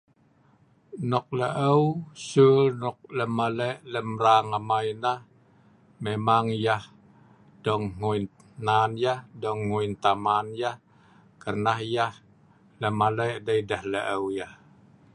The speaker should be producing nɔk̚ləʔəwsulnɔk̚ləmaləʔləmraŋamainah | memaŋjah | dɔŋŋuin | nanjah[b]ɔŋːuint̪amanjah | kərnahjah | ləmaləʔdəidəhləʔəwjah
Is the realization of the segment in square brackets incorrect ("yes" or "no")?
yes